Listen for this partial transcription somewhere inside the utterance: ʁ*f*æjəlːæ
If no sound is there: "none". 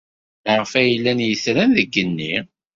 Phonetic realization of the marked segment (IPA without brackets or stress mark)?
f